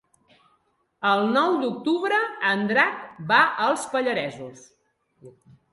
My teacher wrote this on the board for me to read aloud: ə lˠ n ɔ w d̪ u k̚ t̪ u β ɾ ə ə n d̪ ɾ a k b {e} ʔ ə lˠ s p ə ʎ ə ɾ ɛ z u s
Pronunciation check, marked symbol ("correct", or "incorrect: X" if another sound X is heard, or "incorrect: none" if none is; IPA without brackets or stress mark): incorrect: a